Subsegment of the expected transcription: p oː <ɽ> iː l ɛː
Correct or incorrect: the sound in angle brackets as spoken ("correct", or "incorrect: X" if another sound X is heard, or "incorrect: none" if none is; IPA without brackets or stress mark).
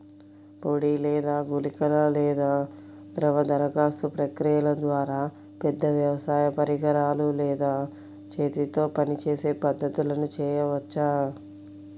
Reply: correct